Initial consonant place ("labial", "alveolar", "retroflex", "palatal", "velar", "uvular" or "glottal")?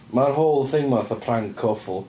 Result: labial